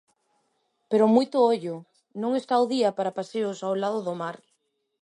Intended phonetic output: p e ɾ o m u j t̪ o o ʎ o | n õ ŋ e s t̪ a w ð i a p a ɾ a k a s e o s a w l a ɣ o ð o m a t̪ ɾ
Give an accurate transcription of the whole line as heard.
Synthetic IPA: p e ɾ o m u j t̪ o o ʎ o | n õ ŋ e s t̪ a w ð i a p a ɾ a p a s e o s a w l a ð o ð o m a ɾ

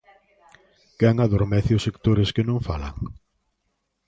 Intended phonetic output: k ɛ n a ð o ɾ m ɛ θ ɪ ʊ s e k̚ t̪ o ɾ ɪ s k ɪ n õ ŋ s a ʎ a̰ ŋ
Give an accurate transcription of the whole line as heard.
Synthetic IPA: k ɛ ŋ a ð o ɾ m ɛ θ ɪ ʊ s e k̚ t̪ o ɾ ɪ s k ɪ n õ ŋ f a l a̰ ŋ

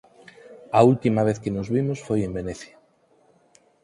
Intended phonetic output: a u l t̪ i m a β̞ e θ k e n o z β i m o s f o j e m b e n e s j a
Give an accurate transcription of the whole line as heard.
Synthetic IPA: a u l t̪ i m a β̞ e θ k e n o z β i m o s f o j e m b e n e θ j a

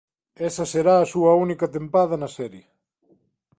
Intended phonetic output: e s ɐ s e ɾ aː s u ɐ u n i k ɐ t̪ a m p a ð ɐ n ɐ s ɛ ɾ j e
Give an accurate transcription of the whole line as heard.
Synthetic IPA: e s ɐ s e ɾ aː s u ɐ u n i k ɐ t̪ e m p a ð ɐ n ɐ s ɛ ɾ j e

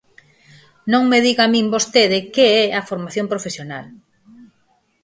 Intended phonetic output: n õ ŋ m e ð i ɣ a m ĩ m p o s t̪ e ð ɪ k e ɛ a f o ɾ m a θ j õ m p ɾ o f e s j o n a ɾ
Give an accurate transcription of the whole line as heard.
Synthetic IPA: n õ ŋ m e ð i ɣ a m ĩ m b o s t̪ e ð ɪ k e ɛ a f o ɾ m a θ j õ m p ɾ o f e s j o n a l

